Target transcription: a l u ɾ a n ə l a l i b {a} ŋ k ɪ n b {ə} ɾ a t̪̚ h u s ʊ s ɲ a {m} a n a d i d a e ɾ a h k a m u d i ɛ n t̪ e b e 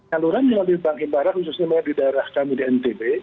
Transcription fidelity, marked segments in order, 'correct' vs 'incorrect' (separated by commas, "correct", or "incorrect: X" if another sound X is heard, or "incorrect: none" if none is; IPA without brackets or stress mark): correct, incorrect: a, correct